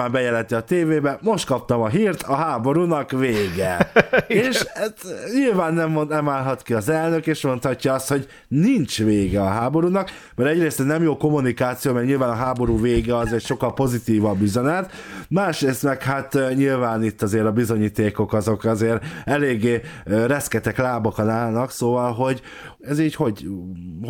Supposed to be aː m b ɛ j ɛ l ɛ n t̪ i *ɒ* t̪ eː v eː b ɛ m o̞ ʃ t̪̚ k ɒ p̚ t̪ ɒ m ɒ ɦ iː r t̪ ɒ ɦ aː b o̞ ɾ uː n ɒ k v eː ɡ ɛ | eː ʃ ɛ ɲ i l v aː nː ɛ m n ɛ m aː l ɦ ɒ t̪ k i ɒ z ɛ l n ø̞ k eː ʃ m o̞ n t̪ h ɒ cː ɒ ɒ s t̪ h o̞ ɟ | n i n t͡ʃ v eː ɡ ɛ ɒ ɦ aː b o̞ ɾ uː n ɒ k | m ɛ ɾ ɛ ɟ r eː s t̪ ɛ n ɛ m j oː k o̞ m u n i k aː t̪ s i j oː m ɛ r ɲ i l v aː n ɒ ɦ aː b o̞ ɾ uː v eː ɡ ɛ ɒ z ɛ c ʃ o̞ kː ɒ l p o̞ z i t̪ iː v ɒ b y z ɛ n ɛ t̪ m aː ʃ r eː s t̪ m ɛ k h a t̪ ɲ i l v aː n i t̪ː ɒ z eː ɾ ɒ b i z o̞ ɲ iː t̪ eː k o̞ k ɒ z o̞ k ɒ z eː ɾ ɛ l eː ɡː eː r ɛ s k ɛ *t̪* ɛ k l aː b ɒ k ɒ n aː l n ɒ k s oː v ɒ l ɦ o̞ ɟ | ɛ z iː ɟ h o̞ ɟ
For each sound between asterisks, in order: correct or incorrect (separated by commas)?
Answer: correct, correct